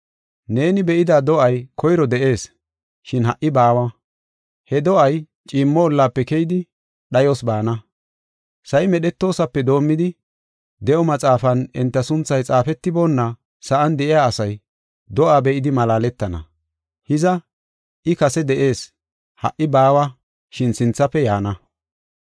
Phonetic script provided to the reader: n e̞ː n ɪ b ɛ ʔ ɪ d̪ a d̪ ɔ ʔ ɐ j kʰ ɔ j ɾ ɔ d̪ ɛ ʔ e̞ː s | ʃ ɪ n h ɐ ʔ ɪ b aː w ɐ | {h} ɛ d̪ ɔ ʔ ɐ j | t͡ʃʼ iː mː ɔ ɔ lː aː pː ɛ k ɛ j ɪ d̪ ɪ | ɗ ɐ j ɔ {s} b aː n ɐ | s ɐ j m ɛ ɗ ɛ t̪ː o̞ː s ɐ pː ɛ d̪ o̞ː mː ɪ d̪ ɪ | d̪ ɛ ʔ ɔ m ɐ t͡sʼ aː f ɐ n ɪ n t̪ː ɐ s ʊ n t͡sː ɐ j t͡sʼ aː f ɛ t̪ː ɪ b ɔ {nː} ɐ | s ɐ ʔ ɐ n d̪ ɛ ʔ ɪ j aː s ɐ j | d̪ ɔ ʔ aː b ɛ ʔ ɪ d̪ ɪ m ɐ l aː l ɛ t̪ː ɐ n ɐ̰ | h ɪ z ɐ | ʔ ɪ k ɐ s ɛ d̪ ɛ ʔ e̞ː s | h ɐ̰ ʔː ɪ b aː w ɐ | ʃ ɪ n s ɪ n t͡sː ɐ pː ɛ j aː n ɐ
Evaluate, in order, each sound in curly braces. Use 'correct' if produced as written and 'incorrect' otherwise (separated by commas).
correct, correct, correct